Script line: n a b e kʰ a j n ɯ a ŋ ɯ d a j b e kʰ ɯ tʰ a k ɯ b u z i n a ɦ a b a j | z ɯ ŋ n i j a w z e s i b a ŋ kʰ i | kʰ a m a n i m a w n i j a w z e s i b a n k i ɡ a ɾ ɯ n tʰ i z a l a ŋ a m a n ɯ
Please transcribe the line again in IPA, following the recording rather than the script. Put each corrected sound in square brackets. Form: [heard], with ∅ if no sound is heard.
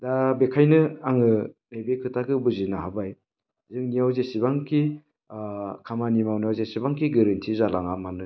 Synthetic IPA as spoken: [d] a b e kʰ a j n ɯ a ŋ ɯ [n] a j b e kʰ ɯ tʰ a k ɯ b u z i n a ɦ a b a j | z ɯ ŋ n i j a w z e s i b a ŋ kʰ i | kʰ a m a n i m a w n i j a w z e s i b a [ŋ] k i ɡ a ɾ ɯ n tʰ i z a l a ŋ a m a n ɯ